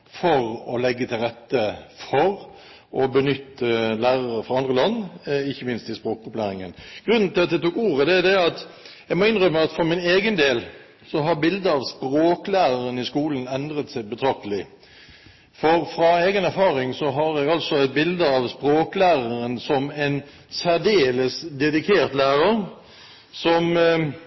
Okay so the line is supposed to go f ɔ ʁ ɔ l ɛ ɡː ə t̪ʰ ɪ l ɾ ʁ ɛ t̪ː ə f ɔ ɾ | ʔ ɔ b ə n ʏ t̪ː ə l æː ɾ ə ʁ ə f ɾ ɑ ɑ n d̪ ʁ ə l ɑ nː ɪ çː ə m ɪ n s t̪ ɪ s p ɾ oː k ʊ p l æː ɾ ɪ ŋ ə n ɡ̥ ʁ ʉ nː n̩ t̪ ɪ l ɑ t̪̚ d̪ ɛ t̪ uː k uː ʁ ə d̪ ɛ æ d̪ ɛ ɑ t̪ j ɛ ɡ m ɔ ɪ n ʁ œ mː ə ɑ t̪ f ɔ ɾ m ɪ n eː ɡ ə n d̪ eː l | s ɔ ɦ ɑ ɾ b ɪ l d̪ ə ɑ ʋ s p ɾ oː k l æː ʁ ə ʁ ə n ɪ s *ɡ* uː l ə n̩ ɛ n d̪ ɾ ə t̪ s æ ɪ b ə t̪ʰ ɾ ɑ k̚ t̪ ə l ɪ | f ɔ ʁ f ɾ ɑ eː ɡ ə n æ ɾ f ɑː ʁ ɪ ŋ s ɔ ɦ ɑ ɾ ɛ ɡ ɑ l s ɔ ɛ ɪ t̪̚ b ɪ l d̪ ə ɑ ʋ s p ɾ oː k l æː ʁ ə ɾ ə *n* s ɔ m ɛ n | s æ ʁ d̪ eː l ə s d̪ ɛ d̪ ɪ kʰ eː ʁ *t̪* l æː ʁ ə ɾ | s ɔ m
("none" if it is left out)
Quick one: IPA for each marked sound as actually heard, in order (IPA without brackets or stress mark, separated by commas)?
k, n, t̪